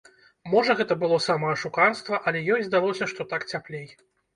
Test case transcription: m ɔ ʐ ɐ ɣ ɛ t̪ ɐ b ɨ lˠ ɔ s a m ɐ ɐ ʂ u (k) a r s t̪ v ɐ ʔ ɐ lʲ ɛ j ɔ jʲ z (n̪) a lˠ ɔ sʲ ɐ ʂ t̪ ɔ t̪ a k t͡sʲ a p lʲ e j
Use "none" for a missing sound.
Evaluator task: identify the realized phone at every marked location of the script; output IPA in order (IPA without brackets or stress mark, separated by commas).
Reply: k, d̪